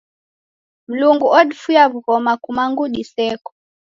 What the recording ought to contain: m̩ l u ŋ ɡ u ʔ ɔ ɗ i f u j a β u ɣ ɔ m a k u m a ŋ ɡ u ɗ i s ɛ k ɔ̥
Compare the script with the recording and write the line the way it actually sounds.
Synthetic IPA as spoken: m̩ l u ŋ ɡ u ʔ ɔ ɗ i f u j a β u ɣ ɔ m a k u m a ŋ ɡ u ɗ i s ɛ k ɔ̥